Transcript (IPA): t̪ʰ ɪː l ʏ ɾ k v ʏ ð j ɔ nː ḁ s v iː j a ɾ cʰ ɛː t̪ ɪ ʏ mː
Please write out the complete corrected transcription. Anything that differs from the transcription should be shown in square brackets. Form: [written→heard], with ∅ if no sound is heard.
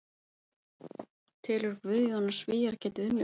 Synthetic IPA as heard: t̪ʰ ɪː l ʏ ɾ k v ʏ ð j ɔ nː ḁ s v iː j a ɾ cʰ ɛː t̪ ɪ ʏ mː